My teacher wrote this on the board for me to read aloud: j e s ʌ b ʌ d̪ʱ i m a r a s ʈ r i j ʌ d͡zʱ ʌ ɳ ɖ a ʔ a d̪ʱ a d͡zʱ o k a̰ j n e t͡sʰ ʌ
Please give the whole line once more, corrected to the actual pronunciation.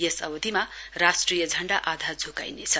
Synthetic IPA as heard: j e s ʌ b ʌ d̪ʱ i m a r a s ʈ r i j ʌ d͡zʱ ʌ ɳ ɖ a ʔ a d̪ʱ a d͡zʱ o k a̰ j n e t͡sʰ ʌ